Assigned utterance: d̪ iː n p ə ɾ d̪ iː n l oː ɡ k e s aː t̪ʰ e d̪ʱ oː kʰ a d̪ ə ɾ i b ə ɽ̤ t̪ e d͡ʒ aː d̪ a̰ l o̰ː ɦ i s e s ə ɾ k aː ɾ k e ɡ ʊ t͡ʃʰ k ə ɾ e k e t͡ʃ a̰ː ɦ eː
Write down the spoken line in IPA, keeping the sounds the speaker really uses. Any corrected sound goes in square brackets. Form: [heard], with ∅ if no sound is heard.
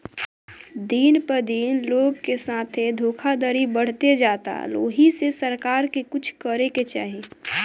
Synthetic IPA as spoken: d̪ iː n p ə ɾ d̪ iː n l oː ɡ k e s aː t̪ʰ e d̪ʱ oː kʰ a d̪ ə ɾ i b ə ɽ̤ t̪ e d͡ʒ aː [t̪] a̰ l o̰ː ɦ i s e s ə ɾ k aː ɾ k e [k] ʊ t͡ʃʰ k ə ɾ e k e t͡ʃ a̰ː ɦ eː